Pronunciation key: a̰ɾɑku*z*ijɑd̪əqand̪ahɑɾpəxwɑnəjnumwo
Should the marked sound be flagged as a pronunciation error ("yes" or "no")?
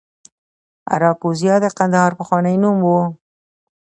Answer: no